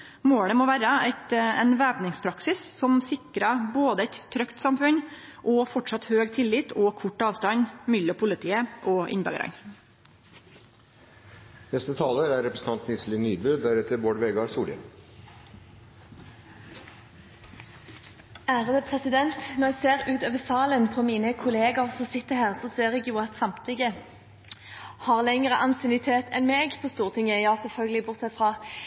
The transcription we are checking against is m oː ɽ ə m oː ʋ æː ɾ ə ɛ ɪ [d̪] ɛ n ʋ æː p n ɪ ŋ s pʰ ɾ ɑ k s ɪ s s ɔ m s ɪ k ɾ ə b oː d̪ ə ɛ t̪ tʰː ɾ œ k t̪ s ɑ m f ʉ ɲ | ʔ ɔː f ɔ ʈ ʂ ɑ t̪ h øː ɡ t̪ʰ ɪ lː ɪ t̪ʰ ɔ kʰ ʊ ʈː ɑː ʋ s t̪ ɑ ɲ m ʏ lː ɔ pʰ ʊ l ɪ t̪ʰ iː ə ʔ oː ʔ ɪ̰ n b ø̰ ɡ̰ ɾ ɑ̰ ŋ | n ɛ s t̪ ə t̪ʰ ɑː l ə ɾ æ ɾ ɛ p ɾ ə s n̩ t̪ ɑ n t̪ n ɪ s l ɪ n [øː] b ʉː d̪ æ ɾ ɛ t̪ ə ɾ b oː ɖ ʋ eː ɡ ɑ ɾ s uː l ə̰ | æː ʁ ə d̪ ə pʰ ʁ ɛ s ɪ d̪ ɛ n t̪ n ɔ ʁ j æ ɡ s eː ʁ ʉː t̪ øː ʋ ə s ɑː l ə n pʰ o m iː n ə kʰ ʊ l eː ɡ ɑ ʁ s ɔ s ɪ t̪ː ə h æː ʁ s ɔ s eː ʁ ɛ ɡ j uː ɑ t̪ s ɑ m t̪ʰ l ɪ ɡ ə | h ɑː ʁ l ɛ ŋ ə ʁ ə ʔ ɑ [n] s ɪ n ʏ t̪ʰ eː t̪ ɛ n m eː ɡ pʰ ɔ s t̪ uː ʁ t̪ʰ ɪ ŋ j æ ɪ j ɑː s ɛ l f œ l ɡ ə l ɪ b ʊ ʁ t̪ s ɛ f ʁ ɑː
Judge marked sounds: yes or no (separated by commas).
no, no, yes